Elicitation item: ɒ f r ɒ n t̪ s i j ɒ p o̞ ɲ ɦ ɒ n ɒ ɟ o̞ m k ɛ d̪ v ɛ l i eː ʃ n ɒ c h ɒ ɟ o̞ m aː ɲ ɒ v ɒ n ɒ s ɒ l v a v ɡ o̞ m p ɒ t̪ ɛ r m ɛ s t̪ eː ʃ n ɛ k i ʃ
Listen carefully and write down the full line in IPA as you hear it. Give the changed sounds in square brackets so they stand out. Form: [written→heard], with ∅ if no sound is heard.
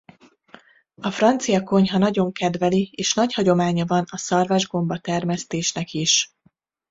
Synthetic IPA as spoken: ɒ f r ɒ n t̪ s i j ɒ [p→k] o̞ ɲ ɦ ɒ n ɒ ɟ o̞ [m→ŋ] k ɛ d̪ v ɛ l i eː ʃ n ɒ c h ɒ ɟ o̞ m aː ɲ ɒ v ɒ n ɒ s ɒ [l→r] v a [v→ʒ] ɡ o̞ m [p→b] ɒ t̪ ɛ r m ɛ s t̪ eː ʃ n ɛ k i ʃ